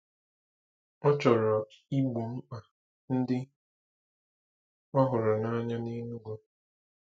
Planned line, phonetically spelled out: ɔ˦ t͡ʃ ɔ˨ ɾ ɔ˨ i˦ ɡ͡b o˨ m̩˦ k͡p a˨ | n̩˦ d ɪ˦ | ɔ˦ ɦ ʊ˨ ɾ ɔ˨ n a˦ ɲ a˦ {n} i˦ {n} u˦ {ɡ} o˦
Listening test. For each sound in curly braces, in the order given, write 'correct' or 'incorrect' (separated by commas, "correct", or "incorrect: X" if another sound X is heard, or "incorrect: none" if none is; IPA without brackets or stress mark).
correct, correct, correct